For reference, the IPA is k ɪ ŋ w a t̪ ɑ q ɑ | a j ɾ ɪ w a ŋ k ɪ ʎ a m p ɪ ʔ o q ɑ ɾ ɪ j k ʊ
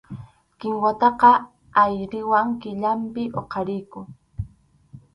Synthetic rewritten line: k ɪ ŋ w a t̪ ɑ q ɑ | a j ɾ ɪ w a ŋ k ɪ ʎ a m p ɪ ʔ o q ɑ ɾ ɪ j k ʊ